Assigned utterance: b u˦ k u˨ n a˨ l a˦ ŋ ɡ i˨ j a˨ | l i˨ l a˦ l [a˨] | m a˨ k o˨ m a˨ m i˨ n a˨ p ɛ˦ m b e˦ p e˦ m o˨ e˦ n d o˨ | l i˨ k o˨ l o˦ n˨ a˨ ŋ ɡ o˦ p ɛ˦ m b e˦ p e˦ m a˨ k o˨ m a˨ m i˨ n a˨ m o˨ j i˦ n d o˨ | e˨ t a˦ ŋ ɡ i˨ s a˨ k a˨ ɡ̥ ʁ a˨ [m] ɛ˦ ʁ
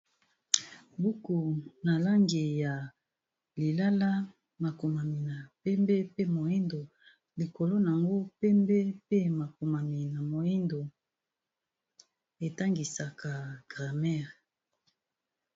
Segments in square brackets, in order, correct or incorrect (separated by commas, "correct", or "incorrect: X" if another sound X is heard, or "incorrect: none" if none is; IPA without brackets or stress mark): incorrect: a˦, correct